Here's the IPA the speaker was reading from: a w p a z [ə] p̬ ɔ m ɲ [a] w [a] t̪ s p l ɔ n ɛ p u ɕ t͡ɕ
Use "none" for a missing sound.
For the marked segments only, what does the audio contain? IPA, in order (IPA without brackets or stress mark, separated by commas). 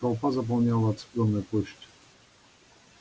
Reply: a, a, a